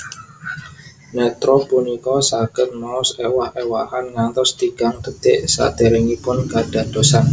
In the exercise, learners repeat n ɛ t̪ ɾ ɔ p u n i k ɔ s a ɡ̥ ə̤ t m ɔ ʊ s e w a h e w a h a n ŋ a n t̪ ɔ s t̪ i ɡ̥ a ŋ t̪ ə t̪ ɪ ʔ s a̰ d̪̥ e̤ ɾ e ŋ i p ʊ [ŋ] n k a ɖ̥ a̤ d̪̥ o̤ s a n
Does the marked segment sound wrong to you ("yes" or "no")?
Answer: yes